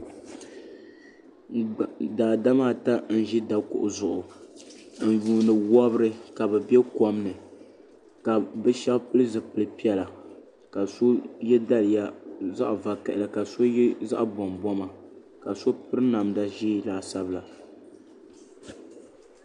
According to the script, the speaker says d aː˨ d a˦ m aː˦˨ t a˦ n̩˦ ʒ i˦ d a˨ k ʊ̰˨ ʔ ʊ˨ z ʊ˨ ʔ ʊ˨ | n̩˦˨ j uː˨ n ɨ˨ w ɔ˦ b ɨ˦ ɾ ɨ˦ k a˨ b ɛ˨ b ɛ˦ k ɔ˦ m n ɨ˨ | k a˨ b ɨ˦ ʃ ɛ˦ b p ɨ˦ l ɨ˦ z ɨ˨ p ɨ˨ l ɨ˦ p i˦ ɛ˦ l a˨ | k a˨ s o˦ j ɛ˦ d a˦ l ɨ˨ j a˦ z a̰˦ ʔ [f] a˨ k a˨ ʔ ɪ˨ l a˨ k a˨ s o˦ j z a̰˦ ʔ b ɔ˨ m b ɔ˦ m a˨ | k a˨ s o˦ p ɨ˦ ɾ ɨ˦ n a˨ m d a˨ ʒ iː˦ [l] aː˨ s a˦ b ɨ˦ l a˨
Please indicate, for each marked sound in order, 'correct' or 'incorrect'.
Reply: incorrect, correct

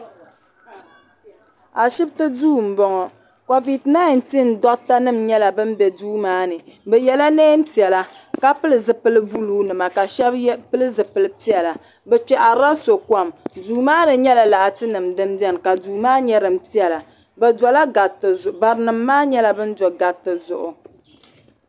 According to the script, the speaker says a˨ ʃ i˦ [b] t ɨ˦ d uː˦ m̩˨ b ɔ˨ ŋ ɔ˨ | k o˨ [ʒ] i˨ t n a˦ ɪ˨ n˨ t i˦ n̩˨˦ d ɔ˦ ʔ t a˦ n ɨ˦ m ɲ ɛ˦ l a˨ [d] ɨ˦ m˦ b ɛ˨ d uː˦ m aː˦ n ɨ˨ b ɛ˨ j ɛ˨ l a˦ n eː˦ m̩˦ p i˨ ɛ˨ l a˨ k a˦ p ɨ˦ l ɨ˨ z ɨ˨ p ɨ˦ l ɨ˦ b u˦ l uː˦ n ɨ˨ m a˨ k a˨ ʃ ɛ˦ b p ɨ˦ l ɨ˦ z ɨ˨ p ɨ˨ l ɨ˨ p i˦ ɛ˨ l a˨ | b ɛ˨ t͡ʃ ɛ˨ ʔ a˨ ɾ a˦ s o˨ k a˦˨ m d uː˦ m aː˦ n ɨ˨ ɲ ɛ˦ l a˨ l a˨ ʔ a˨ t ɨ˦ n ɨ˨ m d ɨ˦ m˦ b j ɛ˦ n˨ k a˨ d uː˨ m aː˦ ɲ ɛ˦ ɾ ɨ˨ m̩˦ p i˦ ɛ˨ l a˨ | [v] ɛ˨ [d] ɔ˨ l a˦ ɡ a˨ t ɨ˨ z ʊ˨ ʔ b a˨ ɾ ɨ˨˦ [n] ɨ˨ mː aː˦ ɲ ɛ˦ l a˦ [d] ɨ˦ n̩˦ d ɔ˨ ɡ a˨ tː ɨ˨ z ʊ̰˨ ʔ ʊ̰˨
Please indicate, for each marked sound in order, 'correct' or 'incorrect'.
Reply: correct, incorrect, incorrect, incorrect, correct, correct, incorrect

